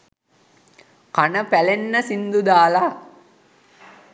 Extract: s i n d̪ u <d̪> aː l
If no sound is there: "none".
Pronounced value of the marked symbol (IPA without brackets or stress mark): d̪